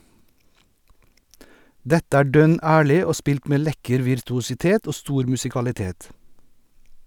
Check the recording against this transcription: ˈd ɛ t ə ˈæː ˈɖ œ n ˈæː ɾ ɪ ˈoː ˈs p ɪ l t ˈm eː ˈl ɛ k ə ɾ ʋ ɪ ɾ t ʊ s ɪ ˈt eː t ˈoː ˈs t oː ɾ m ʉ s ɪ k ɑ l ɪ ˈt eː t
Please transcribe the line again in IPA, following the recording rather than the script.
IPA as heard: ˈd ɛ t ə ˈæː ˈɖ œ n ˈæː ɭ ɪ ˈoː ˈs p ɪ l t ˈm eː ˈl ɛ k ə ɾ ʋ ɪ ɾ t ʊ s ɪ ˈt eː t ˈoː ˈs t uː ɾ m ʉ s ɪ k ɑ l ɪ ˈt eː t

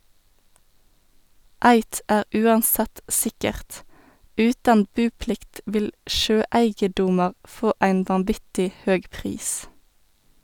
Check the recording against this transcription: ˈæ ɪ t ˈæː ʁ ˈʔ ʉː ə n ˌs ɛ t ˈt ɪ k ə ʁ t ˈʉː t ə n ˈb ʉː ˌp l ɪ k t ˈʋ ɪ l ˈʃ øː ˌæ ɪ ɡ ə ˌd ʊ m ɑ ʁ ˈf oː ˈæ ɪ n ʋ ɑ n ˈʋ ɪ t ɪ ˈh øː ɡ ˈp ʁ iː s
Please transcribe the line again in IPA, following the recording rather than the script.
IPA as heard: ˈæ ɪ t ˈæː ʁ ˈʔ ʉː ɑ n ˌs ɛ t ˈs ɪ k ə ʁ t ˈʉː t ɑ n ˈb ʉː ˌp l ɪ k t ˈʋ ɪ l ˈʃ øː ˌæ ɪ ɡ ə ˌd ʊ m ɑ ʁ ˈf oː ˈæ ɪ n ʋ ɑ n ˈʋ ɪ t ɪ ˈh øː ɡ ˈp ʁ iː s

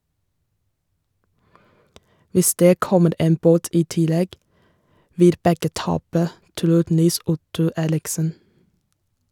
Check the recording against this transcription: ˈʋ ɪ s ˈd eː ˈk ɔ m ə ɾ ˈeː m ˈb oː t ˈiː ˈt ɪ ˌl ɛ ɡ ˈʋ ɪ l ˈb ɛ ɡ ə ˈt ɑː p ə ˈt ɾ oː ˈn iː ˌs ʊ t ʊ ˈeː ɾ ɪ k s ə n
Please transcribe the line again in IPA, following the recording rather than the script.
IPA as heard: ˈʋ ɪ s ˈd eː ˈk ɔ m ə ɾ ˈeː m ˈb oː t ˈiː ˈt ɪ ˌl ɛ ɡ ˈʋ ɪ l ˈb ɛ ɡ ə ˈt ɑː p ə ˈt ɾ uː ˈn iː ˌs ʊ t ʊ ˈeː ɾ ɪ k s ə n

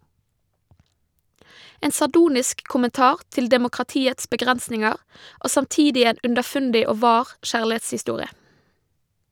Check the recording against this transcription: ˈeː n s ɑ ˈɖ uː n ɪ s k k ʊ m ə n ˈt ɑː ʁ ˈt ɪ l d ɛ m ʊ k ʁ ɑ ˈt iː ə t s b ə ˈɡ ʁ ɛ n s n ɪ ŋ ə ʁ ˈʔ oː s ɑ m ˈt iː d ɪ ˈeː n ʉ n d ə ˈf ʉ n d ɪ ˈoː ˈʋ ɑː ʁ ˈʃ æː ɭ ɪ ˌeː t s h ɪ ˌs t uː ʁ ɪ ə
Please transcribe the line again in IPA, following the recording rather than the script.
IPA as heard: ˈeː n s ɑ ˈɖ uː n ɪ s k k ʊ m ə n ˈt ɑː ʁ ˈt ɪ l d ɛ m ʊ k ʁ ɑ ˈt iː ə t s b ə ˈɡ ʁ ɛ n s n ɪ ŋ ə ʁ ˈʔ oː s ɑ m ˈt iː d ɪ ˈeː n ʉ n d ə ˈf ʉ n d ɪ ˈoː ˈʋ ɑː ʁ ˈʃ æː ɭ ɪ ˌeː t s h ɪ ˌs t uː ʁ ɪ ə

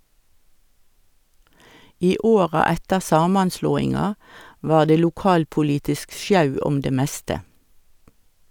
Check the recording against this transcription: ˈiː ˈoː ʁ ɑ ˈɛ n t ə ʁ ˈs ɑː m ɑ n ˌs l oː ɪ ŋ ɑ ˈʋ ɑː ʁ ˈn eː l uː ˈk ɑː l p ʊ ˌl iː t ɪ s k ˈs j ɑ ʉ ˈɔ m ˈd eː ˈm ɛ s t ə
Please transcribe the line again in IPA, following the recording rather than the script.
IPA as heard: ˈiː ˈoː ʁ ɑ ˈɛ t ə ʁ ˈs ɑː m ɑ n ˌs l oː ɪ ŋ ɑ ˈʋ ɑː ʁ ˈd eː l uː ˈk ɑː l p ʊ ˌl iː t ɪ s k ˈs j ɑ ʉ ˈɔ m ˈd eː ˈm ɛ s t ə

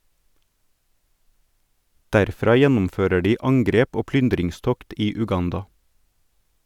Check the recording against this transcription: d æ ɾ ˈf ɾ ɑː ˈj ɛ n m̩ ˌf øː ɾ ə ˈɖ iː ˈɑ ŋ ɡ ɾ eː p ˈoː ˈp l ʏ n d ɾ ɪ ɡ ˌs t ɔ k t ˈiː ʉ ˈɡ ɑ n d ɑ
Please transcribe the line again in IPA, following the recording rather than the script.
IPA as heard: d æ ɾ ˈf ɾ ɑː ˈj ɛ n m̩ ˌf øː ɾ ə ˈɖ iː ˈɑ ŋ ɡ ɾ eː p ˈoː ˈp l ʏ n d ɾ ɪ ŋ ˌs t ɔ k t ˈiː ʉ ˈɡ ɑ n d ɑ

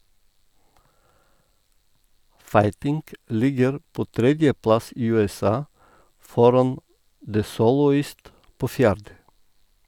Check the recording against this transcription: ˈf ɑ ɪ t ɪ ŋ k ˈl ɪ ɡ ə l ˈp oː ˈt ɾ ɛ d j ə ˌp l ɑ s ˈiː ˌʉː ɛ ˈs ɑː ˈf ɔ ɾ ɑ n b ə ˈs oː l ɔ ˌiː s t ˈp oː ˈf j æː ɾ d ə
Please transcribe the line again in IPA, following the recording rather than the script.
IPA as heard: ˈf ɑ ɪ t ɪ ŋ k ˈl ɪ ɡ ə ɾ ˈp oː ˈt ɾ ɛ d j ə ˌp l ɑ s ˈiː ˌʉː ɛ ˈs ɑː ˈf ɔ ɾ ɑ n d ə ˈs oː l ɔ ˌiː s t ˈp oː ˈf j æː ɾ d ə

